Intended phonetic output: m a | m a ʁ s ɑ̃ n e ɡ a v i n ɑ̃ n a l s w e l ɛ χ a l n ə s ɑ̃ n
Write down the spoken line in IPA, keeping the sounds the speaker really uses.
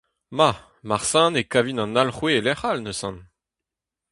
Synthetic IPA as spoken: m a | m a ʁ s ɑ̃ n e k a v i n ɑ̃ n a l χ w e l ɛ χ a l n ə s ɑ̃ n